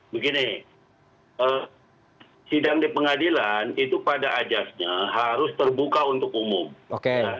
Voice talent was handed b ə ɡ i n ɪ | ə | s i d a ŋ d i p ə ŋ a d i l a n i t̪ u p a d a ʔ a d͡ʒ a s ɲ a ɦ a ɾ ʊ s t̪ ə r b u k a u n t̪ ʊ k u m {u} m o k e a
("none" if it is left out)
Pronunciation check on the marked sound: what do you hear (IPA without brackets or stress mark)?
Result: ʊ